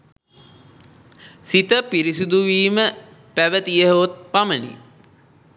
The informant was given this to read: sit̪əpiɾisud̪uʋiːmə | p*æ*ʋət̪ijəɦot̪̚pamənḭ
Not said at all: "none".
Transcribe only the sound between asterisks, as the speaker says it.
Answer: æ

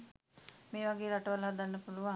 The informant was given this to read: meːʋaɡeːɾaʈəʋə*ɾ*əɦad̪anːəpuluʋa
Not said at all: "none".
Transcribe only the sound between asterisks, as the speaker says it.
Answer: l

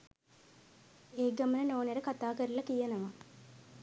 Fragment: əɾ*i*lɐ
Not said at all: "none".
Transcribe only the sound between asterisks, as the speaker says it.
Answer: i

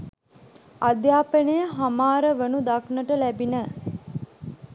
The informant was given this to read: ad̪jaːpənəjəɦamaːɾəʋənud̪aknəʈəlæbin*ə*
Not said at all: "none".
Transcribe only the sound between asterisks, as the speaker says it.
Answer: ə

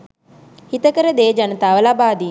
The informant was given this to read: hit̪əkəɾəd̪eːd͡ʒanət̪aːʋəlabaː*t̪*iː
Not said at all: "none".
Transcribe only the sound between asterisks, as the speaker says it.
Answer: d̪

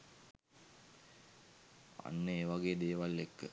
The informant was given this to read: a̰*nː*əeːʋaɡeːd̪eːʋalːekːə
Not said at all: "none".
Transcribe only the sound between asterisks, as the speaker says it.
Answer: nː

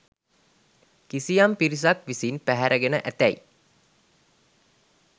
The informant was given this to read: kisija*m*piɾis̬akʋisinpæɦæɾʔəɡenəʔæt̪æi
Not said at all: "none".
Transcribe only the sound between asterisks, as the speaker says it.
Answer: m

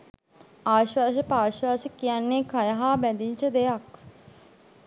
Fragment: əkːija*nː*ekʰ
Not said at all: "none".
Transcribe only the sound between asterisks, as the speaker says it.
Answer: nː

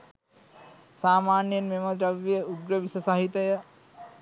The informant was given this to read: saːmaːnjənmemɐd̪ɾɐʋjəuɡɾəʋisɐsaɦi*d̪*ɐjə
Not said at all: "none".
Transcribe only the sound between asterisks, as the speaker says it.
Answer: t̪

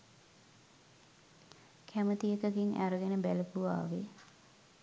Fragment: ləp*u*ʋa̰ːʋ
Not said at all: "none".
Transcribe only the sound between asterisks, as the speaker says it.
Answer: u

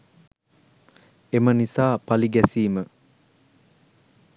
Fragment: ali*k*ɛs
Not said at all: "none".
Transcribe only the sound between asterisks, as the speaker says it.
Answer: ɡ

